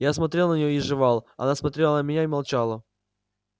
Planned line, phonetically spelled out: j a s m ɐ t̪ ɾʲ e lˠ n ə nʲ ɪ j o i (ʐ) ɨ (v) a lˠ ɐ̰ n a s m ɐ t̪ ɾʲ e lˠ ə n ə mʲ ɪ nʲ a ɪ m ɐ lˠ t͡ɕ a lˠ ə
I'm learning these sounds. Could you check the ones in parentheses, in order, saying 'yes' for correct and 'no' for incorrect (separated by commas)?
yes, yes